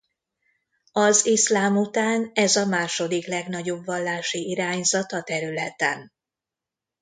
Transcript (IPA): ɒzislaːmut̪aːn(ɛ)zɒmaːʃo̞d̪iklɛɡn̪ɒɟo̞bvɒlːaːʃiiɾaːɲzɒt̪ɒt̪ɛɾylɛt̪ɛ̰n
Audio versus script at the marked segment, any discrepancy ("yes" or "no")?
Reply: no